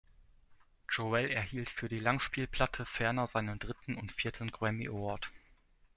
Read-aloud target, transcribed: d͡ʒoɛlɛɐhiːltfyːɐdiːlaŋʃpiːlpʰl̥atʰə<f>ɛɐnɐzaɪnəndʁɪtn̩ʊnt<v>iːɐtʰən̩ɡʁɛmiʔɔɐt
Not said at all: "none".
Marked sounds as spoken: f, f

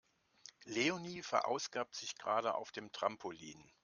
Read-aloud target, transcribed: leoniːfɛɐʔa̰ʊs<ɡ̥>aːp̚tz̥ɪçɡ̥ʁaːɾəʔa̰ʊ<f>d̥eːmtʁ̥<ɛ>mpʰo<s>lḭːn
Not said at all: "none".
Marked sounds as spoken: ɡ̥, f, a, none

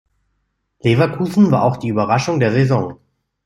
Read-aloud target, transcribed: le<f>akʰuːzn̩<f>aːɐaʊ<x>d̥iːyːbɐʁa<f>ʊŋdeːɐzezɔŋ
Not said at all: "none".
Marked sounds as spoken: v, v, x, ʃ

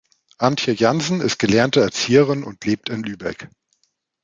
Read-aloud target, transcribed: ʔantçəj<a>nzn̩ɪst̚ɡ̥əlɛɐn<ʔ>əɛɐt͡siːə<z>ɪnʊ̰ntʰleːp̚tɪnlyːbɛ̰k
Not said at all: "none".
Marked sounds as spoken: a, t, ʁ

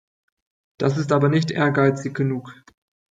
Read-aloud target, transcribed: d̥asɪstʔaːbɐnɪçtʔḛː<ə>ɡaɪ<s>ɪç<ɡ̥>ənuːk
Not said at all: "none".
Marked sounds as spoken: ɐ, t͡s, ɡ̥

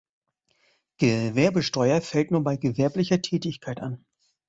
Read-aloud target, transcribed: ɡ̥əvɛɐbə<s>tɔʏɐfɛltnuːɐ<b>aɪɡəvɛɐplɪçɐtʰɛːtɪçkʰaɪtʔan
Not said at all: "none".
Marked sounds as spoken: ʃ, b

